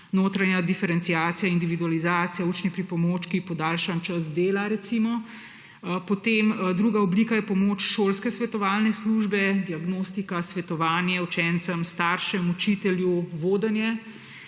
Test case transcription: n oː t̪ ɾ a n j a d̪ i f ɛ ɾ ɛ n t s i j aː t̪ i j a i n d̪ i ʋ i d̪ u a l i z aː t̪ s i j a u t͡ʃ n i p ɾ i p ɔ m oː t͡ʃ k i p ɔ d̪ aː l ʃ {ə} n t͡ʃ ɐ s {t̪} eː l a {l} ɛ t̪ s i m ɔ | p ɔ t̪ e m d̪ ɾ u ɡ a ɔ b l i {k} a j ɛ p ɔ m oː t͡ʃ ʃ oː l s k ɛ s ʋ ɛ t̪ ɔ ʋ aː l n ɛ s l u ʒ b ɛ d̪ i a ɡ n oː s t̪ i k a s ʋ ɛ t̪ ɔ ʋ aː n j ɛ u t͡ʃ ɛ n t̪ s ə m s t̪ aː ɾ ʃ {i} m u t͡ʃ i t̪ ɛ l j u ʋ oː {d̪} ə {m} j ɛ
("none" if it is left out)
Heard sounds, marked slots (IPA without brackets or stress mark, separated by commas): a, d̪, ɾ, k, ɛ, d̪, n